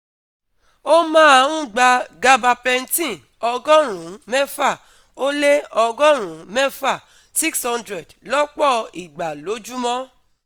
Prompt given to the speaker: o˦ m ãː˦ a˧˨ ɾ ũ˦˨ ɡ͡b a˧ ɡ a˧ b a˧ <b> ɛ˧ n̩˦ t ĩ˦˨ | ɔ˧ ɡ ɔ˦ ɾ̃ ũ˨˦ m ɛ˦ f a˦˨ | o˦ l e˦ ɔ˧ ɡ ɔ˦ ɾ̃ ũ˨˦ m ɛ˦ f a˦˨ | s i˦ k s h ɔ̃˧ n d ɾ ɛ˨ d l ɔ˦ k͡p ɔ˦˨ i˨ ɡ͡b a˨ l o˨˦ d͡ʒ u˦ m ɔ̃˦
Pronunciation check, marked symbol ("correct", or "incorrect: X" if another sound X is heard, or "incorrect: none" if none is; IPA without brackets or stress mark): incorrect: p